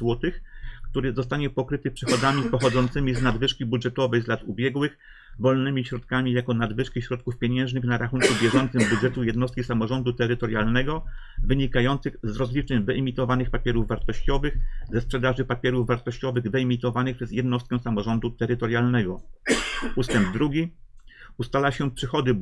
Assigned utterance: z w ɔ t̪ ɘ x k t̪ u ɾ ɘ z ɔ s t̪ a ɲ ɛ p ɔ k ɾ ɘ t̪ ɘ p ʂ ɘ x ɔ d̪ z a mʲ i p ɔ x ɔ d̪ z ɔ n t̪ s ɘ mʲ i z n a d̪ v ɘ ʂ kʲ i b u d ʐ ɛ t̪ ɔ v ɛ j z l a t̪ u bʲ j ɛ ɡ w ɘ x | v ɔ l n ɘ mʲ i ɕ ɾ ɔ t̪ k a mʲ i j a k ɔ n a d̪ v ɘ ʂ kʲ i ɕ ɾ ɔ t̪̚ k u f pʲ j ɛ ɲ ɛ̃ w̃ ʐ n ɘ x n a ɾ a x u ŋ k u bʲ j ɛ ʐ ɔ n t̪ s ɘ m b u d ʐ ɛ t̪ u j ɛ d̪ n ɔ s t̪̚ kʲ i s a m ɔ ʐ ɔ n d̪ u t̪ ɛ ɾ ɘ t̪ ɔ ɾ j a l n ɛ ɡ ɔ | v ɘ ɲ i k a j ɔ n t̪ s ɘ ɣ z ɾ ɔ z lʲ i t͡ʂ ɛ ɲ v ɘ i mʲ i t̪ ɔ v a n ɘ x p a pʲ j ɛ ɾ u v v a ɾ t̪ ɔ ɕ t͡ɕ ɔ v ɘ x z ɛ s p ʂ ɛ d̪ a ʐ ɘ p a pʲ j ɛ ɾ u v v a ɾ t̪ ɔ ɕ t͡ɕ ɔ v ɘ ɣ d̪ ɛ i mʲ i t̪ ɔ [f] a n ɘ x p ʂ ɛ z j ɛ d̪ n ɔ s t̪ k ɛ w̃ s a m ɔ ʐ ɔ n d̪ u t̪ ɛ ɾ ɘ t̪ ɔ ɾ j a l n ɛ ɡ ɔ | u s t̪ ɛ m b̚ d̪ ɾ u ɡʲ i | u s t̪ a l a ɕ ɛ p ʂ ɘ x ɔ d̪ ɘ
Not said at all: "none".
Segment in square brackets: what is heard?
v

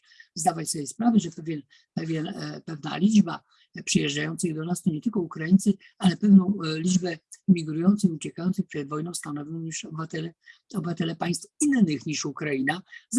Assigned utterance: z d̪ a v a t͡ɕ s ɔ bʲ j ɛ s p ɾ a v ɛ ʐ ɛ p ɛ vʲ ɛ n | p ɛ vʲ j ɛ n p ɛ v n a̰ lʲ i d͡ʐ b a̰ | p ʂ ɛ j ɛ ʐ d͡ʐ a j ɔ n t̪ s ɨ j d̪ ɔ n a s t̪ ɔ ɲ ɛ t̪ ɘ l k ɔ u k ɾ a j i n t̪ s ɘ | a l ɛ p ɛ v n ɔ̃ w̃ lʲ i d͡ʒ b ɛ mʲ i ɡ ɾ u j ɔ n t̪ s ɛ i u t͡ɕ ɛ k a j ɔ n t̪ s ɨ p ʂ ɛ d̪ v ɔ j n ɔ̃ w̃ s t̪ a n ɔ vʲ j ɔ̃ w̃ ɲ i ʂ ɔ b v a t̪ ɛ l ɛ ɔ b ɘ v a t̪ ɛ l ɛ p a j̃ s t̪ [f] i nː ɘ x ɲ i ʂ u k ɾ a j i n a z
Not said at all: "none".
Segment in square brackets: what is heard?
f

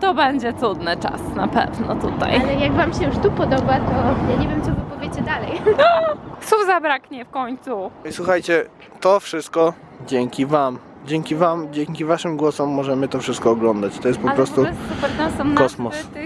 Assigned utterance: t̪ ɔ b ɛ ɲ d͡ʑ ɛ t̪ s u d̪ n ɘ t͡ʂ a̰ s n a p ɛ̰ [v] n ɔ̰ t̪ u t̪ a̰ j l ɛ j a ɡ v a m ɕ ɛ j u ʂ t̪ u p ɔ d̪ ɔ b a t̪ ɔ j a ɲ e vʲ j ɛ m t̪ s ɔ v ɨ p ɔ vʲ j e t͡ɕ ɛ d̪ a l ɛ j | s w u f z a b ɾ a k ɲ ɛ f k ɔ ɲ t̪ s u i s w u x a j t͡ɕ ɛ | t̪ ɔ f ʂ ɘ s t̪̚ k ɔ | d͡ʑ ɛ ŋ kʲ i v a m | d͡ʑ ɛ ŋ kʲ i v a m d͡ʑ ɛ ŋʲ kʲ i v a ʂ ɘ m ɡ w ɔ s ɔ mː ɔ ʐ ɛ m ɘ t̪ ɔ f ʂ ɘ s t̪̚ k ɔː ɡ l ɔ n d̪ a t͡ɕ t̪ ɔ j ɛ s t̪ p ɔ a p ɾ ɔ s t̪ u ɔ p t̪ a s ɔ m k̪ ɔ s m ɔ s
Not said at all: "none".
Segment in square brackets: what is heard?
v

